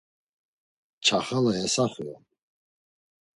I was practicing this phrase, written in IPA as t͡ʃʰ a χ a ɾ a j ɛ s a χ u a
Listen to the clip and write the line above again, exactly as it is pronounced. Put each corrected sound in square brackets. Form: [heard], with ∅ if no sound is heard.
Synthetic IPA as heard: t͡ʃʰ a χ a [l] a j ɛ s a χ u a

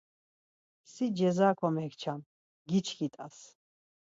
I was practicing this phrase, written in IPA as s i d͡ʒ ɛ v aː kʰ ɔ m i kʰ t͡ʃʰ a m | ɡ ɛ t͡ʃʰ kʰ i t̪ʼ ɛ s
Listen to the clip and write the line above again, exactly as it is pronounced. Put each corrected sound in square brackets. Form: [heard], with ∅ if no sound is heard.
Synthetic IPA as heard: s i d͡ʒ ɛ [z] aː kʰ ɔ m [ɛ] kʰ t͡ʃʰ a m | ɡ [i] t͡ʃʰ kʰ i t̪ʼ [a] s

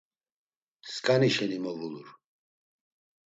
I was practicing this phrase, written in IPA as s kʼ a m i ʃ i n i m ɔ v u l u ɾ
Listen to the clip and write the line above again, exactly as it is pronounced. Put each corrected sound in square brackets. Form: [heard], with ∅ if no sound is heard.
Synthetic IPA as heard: s kʼ a [n] i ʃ [ɛ] n i m ɔ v u l u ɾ

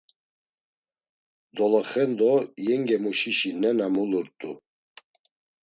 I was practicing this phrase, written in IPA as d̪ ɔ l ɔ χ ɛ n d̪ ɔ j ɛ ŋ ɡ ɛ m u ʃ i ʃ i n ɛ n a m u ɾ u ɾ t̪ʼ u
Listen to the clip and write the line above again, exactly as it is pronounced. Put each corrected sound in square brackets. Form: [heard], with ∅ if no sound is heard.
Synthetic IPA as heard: d̪ ɔ l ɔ χ ɛ n d̪ ɔ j ɛ ŋ ɡ ɛ m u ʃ i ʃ i n ɛ n a m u [l] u ɾ t̪ʼ u

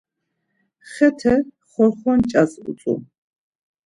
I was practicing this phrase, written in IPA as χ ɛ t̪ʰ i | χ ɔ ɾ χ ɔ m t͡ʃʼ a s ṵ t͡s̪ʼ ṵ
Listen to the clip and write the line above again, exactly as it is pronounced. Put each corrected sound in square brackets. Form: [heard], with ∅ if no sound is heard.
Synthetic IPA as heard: χ ɛ t̪ʰ [ɛ] | χ ɔ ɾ χ ɔ [n] t͡ʃʼ a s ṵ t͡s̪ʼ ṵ

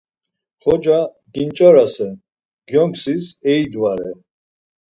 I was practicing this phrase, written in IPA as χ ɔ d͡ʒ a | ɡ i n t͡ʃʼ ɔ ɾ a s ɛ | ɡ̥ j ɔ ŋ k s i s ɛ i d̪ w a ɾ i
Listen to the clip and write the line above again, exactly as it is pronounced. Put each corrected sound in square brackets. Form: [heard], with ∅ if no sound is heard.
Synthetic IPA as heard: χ ɔ d͡ʒ a | ɡ i n t͡ʃʼ ɔ ɾ a s ɛ | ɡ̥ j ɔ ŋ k s i s ɛ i d̪ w a ɾ [ɛ]

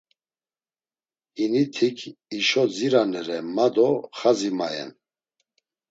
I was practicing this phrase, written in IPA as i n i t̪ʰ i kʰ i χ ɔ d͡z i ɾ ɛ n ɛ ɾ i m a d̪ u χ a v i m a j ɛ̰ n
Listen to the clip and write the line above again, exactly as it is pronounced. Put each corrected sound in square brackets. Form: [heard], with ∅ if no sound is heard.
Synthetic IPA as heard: i n i t̪ʰ i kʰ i [ʃ] ɔ d͡z i ɾ [a] n ɛ ɾ [ɛ] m a d̪ [ɔ] χ a [z] i m a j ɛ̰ n

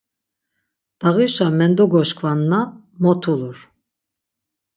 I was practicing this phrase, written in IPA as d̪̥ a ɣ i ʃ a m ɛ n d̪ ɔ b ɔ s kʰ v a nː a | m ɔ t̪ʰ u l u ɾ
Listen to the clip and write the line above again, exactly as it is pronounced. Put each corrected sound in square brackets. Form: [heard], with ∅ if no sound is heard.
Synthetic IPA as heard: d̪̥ a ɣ i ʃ a m ɛ n d̪ ɔ [ɡ] ɔ [ʃ] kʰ v a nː a | m ɔ t̪ʰ u l u ɾ

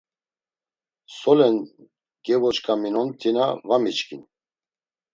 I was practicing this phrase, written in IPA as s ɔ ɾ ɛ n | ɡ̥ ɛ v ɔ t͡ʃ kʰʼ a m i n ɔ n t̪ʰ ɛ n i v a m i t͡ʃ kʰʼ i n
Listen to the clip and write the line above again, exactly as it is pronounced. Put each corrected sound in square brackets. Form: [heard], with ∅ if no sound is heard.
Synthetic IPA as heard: s ɔ [l] ɛ n | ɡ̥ ɛ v ɔ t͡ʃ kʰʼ a m i n ɔ n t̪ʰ [i] n [a] v a m i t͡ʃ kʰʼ i n

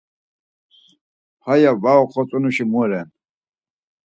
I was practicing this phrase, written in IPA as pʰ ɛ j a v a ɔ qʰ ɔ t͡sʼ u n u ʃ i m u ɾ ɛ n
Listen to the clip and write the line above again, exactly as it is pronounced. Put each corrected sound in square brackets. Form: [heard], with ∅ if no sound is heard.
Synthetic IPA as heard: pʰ [a] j a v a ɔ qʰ ɔ t͡sʼ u n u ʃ i m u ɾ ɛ n

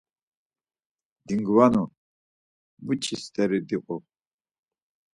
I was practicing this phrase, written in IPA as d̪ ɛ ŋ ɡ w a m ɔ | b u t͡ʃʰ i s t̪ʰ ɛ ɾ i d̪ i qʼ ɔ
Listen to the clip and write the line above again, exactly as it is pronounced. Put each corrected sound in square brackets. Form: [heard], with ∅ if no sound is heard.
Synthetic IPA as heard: d̪ [i] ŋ ɡ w a [n] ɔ | b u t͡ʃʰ i s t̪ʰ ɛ ɾ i d̪ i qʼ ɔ

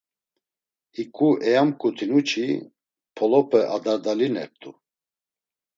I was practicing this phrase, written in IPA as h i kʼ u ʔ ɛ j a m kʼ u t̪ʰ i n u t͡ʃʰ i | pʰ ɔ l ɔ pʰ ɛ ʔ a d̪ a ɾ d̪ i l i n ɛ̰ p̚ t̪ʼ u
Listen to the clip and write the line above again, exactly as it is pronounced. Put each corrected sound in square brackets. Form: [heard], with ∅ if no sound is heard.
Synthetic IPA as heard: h i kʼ u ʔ ɛ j a m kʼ u t̪ʰ i n u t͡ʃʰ i | pʰ ɔ l ɔ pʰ ɛ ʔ a d̪ a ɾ d̪ [a] l i n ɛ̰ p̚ t̪ʼ u

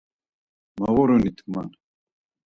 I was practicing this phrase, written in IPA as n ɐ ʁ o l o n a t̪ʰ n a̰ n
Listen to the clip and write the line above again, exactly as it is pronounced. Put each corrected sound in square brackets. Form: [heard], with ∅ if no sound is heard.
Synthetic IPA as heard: [m] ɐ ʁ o [ɾ] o n [i] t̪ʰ [m] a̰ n

